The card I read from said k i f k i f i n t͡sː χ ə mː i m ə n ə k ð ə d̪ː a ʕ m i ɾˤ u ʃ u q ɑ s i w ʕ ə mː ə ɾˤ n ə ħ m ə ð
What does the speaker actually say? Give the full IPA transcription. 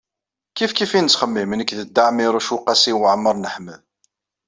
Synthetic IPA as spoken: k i f k i f i n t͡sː χ ə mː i m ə n ə k ð ə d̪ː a ʕ m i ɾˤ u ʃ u q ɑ s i w ʕ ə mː ə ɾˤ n ə ħ m ə ð